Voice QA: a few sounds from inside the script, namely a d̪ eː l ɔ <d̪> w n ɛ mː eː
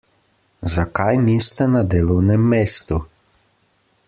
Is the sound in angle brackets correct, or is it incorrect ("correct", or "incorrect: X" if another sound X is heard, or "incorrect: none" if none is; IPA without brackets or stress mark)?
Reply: incorrect: none